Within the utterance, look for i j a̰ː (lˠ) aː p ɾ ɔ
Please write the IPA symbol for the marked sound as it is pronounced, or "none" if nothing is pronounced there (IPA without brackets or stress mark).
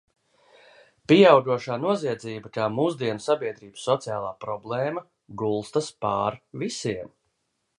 lˠ